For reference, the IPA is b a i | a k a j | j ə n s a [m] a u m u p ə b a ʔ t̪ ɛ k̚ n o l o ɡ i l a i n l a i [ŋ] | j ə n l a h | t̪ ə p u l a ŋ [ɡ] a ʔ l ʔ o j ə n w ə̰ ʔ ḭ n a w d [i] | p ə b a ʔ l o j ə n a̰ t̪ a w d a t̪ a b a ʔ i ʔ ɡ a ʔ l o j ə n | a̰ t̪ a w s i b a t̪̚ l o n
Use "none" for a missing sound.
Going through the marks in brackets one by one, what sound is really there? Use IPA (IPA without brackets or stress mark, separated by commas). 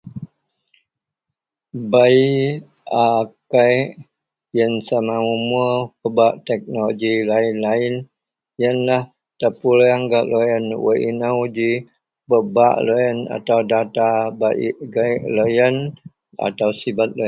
m, n, ɡ, i